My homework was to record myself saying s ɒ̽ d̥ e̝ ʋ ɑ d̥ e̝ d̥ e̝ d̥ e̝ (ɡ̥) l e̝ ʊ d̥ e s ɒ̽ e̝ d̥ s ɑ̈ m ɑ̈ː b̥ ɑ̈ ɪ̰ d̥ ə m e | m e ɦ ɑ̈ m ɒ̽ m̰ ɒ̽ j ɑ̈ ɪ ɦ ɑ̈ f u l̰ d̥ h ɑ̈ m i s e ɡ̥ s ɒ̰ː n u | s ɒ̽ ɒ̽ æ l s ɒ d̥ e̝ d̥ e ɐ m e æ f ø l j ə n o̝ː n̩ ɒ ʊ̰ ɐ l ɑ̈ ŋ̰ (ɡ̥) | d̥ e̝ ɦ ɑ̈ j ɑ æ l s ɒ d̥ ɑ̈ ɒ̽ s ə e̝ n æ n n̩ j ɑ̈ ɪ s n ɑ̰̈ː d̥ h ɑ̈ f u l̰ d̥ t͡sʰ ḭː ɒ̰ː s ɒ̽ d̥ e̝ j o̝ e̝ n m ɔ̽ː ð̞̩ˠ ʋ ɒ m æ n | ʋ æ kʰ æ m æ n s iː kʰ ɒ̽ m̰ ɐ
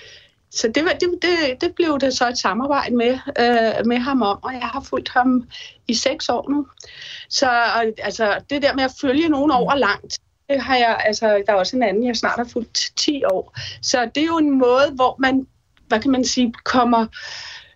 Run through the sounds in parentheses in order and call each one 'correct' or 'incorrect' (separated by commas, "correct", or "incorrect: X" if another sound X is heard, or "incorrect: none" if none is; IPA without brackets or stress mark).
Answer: incorrect: b̥, incorrect: d̥